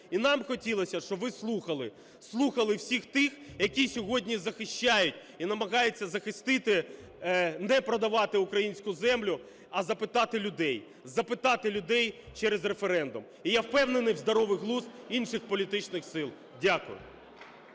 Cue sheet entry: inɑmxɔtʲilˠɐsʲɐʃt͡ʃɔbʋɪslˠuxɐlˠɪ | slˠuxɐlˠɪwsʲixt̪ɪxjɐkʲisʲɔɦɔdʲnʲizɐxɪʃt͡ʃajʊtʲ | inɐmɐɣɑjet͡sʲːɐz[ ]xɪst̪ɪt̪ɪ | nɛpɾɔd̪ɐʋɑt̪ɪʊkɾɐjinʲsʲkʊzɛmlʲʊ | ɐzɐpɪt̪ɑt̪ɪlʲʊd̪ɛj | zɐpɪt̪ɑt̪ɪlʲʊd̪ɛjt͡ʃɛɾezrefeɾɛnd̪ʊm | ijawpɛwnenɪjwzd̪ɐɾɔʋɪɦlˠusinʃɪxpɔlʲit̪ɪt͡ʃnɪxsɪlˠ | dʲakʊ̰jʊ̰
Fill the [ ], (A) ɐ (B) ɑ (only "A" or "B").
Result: A